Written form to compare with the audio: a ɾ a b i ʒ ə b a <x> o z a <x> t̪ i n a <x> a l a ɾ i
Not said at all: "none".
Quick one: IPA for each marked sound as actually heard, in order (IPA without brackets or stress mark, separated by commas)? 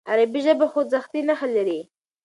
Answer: x, x, x